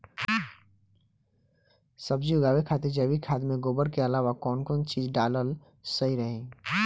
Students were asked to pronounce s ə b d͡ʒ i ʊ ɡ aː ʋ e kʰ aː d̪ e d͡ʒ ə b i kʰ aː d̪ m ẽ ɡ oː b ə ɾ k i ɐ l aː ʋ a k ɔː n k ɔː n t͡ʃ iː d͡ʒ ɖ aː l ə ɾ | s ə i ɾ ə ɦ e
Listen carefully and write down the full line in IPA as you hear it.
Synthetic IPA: s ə b d͡ʒ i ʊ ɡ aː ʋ e kʰ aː t̪ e d͡ʒ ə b i kʰ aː d̪ m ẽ ɡ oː b ə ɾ k e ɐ l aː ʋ a k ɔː n k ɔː n t͡ʃ iː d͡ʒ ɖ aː l ə l | s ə i ɾ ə ɦ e